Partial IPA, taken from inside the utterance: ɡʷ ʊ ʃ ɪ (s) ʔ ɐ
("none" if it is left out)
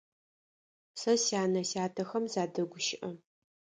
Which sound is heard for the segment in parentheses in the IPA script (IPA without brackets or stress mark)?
none